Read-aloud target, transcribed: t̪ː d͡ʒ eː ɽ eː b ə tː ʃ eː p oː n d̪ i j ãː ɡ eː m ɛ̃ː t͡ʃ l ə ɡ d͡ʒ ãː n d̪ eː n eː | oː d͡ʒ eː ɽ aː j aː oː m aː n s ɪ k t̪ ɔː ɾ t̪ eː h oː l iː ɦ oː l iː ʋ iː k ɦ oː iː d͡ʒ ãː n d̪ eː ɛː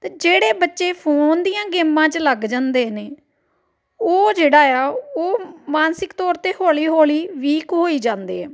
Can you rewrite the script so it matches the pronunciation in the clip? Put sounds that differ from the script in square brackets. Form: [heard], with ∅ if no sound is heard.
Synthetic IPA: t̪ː d͡ʒ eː ɽ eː b ə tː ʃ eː [pʰ] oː n d̪ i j ãː ɡ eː m [ãː] t͡ʃ l ə ɡ d͡ʒ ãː n d̪ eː n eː | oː d͡ʒ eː ɽ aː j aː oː m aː n s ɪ k t̪ ɔː ɾ t̪ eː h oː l iː ɦ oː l iː ʋ iː k ɦ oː iː d͡ʒ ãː n d̪ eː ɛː